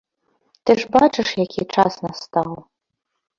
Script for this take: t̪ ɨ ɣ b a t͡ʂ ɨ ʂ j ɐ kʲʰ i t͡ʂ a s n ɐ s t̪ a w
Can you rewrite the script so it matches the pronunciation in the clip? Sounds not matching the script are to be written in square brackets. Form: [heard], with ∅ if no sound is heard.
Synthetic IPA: t̪ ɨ [ʐ] b a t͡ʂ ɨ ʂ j [a] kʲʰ i t͡ʂ a s n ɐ s t̪ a w